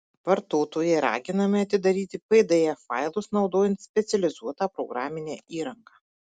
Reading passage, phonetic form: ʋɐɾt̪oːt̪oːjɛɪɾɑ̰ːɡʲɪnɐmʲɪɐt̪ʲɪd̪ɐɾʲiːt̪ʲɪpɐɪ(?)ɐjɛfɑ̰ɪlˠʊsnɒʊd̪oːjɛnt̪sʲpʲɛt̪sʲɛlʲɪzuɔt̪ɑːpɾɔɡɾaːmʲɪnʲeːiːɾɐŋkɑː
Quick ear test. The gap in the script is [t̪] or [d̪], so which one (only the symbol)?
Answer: d̪